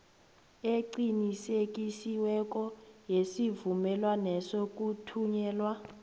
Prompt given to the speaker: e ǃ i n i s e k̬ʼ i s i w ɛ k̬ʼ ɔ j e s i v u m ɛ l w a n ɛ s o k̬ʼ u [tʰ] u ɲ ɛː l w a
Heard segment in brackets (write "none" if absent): tʰ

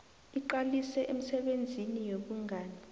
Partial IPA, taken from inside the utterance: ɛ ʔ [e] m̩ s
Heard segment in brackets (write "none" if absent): e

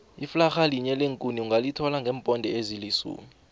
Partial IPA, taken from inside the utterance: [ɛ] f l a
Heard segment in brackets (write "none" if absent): i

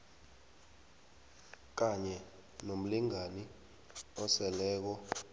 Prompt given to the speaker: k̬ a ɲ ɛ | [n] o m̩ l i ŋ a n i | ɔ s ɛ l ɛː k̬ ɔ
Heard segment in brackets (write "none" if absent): n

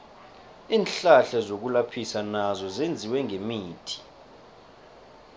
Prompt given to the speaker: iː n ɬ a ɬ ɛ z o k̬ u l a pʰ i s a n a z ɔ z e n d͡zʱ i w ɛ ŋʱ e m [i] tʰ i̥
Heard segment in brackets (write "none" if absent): iː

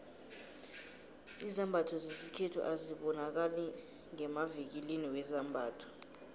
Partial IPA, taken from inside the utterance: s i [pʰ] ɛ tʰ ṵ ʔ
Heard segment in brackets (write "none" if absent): kʰ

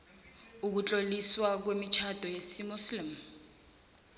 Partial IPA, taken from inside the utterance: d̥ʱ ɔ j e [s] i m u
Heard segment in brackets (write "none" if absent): s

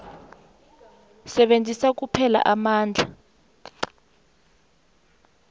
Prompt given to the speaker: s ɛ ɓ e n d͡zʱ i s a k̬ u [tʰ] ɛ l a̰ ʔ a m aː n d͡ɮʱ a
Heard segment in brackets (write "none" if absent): pʰ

